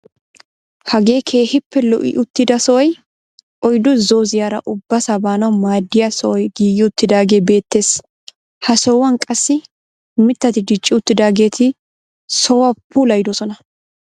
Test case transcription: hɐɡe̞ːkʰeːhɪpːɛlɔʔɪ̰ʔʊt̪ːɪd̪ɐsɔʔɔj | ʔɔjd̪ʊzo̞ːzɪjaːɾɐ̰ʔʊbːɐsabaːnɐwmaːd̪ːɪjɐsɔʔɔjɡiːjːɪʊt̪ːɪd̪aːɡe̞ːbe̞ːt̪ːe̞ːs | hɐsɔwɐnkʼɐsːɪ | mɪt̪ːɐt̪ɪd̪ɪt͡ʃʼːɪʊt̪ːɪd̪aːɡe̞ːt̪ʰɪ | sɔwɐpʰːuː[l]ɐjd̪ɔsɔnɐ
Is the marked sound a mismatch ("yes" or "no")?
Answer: no